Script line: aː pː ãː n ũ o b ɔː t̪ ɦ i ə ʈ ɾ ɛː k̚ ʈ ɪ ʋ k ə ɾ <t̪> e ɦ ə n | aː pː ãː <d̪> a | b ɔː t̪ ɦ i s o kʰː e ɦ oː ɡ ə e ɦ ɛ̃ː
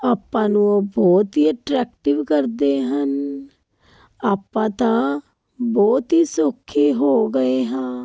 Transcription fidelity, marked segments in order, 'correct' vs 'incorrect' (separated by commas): incorrect, incorrect